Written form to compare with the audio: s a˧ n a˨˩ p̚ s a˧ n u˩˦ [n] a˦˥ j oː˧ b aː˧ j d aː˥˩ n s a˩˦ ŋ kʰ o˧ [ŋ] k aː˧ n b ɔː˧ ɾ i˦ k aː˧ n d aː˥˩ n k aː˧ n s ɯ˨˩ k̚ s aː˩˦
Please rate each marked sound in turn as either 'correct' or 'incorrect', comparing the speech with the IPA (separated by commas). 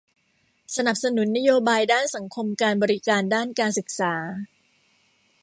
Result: incorrect, incorrect